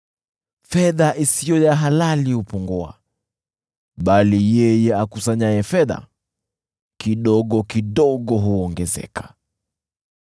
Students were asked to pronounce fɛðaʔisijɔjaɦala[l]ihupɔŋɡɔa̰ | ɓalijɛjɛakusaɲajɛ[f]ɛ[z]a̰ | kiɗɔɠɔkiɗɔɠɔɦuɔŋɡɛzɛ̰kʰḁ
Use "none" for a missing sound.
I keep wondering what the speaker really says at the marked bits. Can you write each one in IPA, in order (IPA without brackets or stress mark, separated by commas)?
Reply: l, f, ð